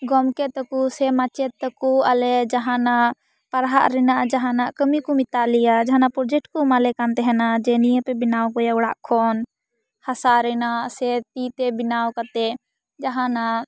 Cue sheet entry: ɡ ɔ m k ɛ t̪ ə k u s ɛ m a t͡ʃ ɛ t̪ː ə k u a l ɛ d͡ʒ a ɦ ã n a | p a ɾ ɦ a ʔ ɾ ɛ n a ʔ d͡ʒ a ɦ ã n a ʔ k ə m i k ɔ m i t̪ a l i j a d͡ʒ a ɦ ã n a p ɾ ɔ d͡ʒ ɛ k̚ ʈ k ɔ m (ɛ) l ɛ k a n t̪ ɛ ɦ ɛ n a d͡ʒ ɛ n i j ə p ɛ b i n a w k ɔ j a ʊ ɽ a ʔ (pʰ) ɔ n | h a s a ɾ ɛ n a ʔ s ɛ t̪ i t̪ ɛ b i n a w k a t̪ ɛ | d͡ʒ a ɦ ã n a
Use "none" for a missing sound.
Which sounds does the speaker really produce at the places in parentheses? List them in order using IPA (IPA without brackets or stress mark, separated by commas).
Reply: a, kʰ